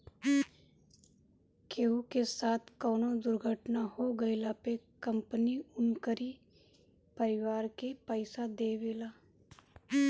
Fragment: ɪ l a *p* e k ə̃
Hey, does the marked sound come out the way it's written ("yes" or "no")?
yes